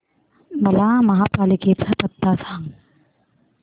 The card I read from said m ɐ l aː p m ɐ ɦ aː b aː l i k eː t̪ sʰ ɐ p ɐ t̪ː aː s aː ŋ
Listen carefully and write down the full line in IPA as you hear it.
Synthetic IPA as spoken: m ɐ l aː m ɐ ɦ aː p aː l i k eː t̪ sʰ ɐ p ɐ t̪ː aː s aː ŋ